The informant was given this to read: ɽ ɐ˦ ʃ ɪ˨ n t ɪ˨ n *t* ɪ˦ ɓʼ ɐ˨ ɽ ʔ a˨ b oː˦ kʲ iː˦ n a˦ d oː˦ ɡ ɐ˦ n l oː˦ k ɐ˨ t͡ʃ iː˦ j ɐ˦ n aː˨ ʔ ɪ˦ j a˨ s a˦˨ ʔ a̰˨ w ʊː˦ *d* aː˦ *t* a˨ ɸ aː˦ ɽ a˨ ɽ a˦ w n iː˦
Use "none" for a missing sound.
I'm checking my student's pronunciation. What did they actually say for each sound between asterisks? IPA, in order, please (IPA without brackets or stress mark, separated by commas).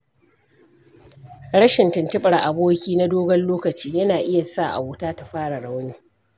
t, t, t